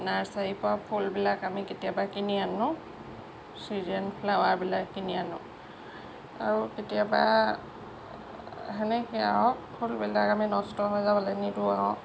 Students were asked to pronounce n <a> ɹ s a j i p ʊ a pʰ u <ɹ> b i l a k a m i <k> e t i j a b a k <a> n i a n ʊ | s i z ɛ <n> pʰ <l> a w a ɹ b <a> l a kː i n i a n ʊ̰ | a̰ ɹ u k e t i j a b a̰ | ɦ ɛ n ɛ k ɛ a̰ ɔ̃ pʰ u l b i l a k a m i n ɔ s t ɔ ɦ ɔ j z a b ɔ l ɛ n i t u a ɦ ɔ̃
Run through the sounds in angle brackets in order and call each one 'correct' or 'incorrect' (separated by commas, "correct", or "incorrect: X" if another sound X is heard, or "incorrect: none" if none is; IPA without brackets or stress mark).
correct, incorrect: l, correct, incorrect: i, correct, correct, incorrect: i